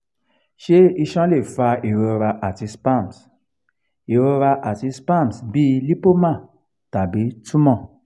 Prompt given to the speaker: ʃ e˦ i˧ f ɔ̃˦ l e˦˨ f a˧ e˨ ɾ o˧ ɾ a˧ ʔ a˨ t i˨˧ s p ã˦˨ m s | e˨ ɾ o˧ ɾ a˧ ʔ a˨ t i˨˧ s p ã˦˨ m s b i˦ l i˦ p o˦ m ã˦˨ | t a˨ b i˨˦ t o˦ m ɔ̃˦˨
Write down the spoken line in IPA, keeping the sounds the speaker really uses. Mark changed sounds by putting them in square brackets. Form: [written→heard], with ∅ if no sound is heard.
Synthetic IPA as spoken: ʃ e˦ i˧ [f→ʃ] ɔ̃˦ l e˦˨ f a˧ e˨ ɾ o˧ ɾ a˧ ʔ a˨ t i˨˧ s p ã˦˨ m s | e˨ ɾ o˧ ɾ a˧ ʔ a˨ t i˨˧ s p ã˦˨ m s b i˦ l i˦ p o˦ m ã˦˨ | t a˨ b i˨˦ t [o˦→u˦] m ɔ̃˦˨

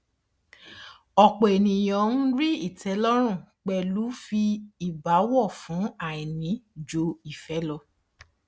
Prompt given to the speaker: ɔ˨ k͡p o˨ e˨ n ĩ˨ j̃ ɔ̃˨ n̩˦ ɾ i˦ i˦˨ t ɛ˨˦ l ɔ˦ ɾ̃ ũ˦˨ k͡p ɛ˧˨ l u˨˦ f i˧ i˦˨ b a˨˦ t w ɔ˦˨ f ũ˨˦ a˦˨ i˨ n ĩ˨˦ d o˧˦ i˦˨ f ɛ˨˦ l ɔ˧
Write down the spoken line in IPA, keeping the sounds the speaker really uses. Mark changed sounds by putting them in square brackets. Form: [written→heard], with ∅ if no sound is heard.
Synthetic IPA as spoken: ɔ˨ k͡p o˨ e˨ n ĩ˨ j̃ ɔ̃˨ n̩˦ ɾ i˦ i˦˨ t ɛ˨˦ l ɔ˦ ɾ̃ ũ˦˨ k͡p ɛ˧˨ l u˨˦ f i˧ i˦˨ b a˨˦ [t→∅] w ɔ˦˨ f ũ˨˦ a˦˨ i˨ n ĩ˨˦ [d→d͡ʒ] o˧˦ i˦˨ f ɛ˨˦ l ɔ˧

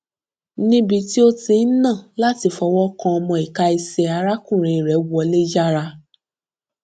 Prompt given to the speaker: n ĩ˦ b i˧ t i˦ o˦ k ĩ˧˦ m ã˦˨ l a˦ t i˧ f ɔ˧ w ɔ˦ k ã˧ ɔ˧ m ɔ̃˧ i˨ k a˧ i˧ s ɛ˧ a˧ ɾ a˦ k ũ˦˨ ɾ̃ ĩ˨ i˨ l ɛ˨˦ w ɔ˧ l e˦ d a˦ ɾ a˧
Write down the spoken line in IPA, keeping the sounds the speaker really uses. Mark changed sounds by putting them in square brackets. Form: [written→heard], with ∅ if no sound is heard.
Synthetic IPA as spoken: n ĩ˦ b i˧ t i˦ o˦ [k→t] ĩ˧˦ [m→n] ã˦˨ l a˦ t i˧ f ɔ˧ w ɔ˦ k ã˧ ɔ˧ m ɔ̃˧ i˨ k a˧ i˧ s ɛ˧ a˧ ɾ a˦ k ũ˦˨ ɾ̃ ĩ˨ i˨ [l→ɾ] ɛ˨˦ w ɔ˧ l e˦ [d→d͡ʒ] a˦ ɾ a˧

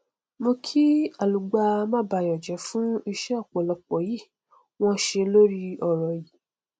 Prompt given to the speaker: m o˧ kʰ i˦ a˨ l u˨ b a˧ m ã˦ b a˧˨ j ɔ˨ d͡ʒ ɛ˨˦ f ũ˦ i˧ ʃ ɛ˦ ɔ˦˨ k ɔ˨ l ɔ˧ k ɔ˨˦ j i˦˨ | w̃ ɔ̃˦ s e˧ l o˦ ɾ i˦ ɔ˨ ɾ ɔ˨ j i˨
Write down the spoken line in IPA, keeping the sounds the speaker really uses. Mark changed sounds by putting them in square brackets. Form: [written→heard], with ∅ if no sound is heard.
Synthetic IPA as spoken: m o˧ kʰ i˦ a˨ l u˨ [b→ɡ͡b] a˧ m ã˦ b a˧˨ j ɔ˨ d͡ʒ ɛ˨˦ f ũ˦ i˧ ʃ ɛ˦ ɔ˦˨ [k→k͡p] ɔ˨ l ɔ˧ [k→k͡p] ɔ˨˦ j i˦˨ | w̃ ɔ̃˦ [s→ʃ] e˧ l o˦ ɾ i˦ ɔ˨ ɾ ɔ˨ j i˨

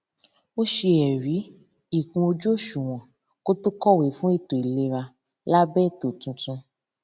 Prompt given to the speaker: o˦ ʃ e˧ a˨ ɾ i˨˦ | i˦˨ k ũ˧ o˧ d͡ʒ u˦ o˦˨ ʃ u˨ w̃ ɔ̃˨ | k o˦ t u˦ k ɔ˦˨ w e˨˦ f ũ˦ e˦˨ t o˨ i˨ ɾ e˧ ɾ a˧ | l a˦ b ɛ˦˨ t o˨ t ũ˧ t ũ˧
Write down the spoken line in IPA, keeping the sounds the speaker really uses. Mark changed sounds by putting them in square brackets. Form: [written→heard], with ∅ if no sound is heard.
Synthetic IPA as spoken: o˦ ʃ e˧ [a˨→ɛ˨] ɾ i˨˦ | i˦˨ k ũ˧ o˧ d͡ʒ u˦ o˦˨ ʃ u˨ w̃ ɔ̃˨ | k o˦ t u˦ k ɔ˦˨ w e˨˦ f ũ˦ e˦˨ t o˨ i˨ [ɾ→l] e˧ ɾ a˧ | l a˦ b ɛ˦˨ t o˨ t ũ˧ t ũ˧

